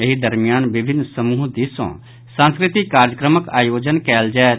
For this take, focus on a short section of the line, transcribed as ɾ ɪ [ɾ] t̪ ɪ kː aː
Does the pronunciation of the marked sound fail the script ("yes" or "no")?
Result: yes